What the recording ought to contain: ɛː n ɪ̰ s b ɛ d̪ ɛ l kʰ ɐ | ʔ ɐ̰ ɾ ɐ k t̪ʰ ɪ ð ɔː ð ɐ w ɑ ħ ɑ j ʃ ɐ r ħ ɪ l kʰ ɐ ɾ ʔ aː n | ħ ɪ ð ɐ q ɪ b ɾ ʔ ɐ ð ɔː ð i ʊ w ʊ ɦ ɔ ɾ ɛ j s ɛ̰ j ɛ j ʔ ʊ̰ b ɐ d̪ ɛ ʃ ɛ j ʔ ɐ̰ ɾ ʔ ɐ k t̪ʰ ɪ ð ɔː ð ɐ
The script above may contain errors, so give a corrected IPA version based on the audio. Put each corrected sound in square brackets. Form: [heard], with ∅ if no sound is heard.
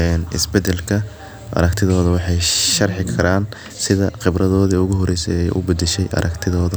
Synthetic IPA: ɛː n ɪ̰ s b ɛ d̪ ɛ l kʰ ɐ | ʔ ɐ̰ ɾ ɐ k t̪ʰ ɪ ð ɔː ð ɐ w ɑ ħ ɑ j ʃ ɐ r ħ ɪ [∅] kʰ ɐ ɾ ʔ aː n | [s] ɪ ð ɐ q ɪ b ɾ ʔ ɐ ð ɔː ð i ʊ [ɣ] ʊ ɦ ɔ ɾ ɛ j s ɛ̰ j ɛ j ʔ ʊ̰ b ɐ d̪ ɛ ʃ ɛ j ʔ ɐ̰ ɾ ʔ ɐ k t̪ʰ ɪ ð ɔː ð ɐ